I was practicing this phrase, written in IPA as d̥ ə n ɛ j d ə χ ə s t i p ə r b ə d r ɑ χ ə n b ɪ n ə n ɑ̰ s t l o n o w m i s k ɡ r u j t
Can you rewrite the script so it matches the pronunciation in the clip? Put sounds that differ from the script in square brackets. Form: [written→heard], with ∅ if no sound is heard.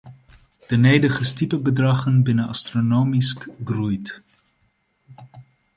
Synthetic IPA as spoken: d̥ ə n [ɛ→e] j d ə χ ə s t i p ə [r→∅] b ə d r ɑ χ ə n b ɪ n ə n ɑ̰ s t [l→r] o n o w m i s k ɡ r u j t